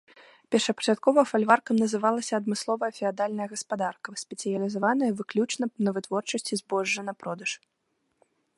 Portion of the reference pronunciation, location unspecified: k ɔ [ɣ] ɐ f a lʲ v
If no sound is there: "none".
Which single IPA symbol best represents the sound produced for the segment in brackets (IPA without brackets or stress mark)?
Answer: v